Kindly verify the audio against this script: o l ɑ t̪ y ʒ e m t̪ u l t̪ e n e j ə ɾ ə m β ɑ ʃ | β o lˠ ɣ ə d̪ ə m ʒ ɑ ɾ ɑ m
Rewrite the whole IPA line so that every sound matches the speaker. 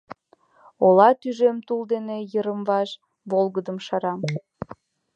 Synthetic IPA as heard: o l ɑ t̪ y ʒ e m t̪ u l d̪ e n e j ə ɾ ə m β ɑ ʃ | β o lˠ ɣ ə d̪ ə m ʃ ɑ ɾ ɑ m

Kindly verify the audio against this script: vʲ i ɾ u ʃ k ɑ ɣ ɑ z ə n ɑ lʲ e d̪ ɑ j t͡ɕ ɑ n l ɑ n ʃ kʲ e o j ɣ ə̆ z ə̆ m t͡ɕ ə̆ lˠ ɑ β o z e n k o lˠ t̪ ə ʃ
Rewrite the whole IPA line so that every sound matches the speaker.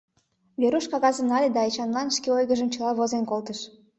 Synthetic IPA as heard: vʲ e ɾ u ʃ k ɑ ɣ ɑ z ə n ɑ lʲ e d̪ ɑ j t͡ɕ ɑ n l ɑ n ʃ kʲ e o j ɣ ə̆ ʒ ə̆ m t͡ɕ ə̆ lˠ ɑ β o z e n k o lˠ t̪ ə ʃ

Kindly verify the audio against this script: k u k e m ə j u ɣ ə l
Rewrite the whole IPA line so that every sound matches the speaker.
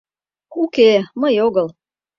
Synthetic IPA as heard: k u k e m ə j o ɣ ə l

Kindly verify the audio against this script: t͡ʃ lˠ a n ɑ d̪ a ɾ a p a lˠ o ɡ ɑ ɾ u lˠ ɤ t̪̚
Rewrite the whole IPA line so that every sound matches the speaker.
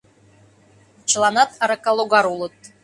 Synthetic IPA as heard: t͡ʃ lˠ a n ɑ t̪ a ɾ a k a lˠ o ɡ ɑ ɾ u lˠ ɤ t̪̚

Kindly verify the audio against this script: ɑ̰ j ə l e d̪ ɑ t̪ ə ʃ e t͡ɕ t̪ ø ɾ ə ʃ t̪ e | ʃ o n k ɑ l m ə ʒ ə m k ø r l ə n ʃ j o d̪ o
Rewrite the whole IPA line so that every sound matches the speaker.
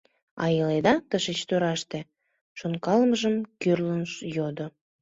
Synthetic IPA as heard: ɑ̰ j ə l e d̪ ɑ t̪ ə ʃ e t͡ɕ t̪ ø ɾ ɑ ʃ t̪ e | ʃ o n k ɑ l m ə ʒ ə m k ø r l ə n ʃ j o d̪ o

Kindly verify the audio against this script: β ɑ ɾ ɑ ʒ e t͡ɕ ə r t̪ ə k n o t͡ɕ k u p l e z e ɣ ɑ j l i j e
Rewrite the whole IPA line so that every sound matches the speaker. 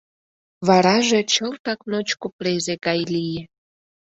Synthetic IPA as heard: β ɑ ɾ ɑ ʒ e t͡ɕ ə l t̪ ɑ k n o t͡ɕ k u p l e z e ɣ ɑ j l i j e

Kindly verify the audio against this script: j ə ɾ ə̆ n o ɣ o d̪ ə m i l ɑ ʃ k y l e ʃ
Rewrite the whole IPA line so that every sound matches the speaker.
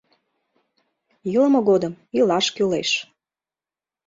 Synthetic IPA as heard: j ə l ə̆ m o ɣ o d̪ ə m i l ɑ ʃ k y l e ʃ

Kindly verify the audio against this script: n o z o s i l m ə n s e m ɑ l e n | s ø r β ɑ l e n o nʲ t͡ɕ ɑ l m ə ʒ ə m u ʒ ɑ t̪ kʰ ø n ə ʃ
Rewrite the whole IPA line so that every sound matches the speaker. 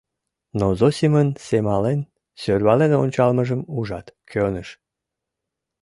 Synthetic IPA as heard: n o z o s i m ə n s e m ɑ l e n | s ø r β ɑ l e n o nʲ t͡ɕ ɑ l m ə ʒ ə m u ʒ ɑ t̪ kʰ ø n ə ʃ

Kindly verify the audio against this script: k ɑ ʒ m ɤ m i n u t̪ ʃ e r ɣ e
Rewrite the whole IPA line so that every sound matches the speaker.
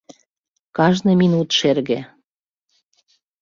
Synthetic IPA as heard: k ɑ ʒ n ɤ m i n u t̪ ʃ e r ɣ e

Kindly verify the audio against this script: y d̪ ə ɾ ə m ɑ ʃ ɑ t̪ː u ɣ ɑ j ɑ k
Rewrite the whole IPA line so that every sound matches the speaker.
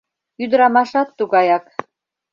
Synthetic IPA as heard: y d̪ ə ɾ ɑ m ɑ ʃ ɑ t̪ː u ɣ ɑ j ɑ k

